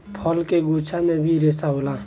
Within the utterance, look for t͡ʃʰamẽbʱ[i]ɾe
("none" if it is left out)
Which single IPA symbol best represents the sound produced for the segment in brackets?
i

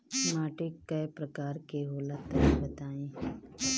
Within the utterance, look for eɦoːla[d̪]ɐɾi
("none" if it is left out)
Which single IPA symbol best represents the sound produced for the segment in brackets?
t̪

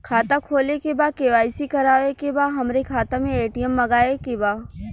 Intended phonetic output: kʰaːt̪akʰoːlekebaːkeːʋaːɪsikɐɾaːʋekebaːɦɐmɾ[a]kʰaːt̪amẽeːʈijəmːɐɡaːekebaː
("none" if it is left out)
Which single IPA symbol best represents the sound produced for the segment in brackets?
e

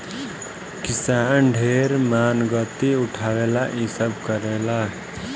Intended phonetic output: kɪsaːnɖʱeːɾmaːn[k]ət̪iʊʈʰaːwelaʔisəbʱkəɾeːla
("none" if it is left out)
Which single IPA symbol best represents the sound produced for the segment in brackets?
ɡ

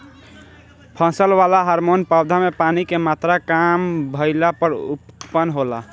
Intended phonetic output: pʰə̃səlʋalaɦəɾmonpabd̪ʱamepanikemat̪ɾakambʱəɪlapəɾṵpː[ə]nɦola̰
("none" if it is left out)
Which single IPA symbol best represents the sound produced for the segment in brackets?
ə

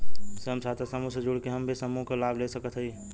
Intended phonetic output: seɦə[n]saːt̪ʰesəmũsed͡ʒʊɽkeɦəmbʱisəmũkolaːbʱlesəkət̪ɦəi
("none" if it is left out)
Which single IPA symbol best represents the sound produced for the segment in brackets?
m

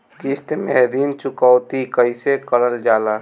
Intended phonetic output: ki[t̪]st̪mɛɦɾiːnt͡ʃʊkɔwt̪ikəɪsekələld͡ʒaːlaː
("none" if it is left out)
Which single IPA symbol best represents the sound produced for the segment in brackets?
none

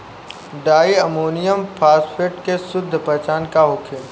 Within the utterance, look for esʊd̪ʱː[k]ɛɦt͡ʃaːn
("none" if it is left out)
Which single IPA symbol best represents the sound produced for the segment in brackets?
p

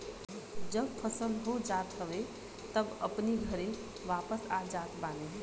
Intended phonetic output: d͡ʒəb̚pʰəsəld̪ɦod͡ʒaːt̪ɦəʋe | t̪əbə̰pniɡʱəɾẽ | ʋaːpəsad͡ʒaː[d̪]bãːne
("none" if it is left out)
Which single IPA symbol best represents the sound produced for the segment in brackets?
t̪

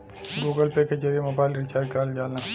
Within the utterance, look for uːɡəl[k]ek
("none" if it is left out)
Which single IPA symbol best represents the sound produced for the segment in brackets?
p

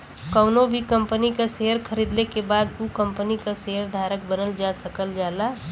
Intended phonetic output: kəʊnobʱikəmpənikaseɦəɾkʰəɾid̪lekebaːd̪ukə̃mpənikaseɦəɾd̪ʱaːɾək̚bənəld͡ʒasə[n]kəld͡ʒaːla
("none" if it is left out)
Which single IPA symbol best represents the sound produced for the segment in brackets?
none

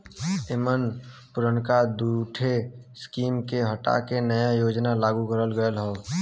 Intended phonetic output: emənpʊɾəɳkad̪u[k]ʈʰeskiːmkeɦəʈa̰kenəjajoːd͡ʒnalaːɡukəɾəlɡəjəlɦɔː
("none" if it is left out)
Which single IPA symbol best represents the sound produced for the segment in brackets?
none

